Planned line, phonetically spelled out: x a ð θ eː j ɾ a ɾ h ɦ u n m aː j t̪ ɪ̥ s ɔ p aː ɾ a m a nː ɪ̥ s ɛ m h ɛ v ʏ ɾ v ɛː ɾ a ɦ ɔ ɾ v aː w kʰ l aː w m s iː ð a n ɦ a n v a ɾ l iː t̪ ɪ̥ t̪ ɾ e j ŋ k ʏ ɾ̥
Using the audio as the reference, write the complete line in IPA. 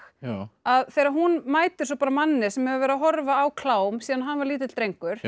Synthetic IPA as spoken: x a ð θ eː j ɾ a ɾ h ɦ u n m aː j t̪ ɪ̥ s ɔ p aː ɾ a m a nː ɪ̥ s ɛ m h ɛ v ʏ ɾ v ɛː ɾ a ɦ ɔ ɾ v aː w kʰ l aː w m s iː ð a n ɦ a n v a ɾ l iː t̪ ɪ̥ t̪ ɾ e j ŋ k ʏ ɾ̥